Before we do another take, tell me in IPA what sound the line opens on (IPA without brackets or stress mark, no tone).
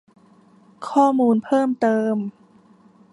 kʰ